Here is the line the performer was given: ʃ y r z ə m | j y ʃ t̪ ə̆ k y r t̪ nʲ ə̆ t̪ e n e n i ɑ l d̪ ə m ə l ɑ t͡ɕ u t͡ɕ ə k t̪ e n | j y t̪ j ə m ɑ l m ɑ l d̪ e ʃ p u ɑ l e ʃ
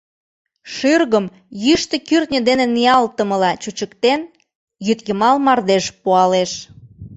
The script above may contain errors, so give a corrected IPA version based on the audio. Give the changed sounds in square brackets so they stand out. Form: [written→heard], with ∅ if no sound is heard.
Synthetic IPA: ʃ y r [z→ɣ] ə m | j y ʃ t̪ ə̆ k y r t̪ nʲ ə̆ [t̪→d̪] e n e n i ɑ l [d̪→t̪] ə m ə l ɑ t͡ɕ u t͡ɕ ə k t̪ e n | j y t̪ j ə m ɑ l m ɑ [l→r] d̪ e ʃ p u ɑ l e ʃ